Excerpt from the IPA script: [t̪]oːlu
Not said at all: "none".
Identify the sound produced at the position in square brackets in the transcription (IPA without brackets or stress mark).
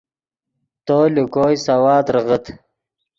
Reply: t̪